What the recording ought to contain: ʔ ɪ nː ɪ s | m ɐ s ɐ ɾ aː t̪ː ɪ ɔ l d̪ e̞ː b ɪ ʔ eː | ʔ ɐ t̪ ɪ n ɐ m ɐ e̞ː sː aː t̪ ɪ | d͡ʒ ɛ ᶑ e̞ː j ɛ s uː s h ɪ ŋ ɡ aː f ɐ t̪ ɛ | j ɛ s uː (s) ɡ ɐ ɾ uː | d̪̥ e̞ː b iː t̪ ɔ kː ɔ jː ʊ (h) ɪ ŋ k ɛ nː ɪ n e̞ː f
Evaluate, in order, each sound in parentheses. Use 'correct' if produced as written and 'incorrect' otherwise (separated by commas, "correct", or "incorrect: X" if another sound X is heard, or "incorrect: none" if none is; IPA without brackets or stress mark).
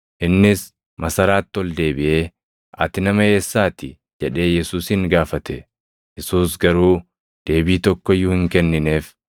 correct, correct